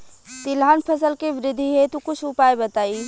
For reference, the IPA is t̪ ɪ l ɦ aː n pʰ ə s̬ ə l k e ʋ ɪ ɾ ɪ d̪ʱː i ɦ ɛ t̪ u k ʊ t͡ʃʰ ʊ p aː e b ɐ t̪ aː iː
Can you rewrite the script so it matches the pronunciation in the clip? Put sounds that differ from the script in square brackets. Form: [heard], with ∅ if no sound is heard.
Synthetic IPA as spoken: t̪ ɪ l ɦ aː n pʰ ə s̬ ə l k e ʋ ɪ ɾ ɪ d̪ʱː i ɦ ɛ t̪ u k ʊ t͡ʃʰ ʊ p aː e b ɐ t̪ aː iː

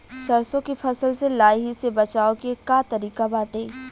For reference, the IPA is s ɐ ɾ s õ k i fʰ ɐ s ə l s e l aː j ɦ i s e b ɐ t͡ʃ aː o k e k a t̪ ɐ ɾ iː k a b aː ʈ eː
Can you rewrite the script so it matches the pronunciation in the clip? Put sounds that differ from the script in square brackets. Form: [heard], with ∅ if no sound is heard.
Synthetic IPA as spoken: s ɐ ɾ s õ k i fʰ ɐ s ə l s e l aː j ɦ i s e b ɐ t͡ʃ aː o k e k a t̪ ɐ ɾ iː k a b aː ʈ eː

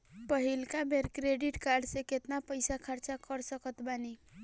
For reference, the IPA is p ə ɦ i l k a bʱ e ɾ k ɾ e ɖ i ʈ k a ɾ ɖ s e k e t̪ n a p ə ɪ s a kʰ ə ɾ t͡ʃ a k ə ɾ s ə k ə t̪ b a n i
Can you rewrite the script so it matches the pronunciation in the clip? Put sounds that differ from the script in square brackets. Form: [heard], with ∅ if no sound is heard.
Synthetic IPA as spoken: p ə ɦ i l k a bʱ e ɾ k ɾ e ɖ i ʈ k a ɾ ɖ s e k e t̪ n a p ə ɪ s a kʰ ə ɾ t͡ʃ a k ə ɾ s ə k ə t̪ b a n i

